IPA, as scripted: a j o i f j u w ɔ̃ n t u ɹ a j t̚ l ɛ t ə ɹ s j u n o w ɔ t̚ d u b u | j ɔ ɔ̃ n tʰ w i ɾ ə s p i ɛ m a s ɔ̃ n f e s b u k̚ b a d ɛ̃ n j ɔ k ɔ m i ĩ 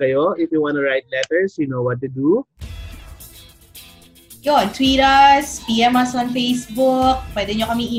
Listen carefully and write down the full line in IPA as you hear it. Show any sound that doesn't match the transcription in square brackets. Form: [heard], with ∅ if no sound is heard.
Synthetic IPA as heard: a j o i f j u w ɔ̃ n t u ɹ a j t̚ l ɛ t ə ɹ s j u n o w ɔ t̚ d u [d] u | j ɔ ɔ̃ n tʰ w i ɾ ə s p i ɛ m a s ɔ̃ n f e s b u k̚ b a d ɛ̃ n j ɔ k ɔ m i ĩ